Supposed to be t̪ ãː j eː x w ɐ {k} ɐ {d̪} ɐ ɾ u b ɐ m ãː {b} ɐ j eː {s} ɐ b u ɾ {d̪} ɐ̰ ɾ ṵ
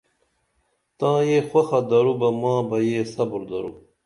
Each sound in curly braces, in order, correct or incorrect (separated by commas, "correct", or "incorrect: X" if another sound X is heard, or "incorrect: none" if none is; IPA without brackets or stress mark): incorrect: x, correct, correct, correct, correct